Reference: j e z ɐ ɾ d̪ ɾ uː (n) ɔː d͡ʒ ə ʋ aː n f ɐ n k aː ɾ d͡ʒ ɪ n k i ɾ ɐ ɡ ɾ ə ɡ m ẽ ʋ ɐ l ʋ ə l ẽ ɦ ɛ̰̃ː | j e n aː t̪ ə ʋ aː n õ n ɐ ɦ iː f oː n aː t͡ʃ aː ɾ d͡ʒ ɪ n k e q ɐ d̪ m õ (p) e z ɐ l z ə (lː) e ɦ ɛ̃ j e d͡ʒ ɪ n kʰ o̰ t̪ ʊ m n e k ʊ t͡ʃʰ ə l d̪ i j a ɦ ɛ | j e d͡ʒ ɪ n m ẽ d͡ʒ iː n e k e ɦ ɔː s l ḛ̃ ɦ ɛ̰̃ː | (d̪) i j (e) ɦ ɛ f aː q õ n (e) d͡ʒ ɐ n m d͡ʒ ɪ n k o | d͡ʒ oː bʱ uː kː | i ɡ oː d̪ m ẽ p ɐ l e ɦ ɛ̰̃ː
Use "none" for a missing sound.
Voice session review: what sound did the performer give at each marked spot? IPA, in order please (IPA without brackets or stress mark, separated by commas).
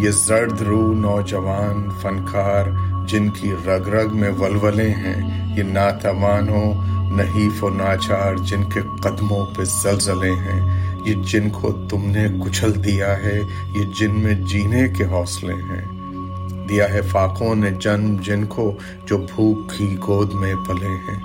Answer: n, p, l, d̪, a, e